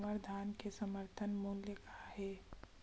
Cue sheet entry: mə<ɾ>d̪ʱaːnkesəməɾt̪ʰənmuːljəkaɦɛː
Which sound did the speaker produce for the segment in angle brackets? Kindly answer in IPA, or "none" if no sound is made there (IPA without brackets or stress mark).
ɾ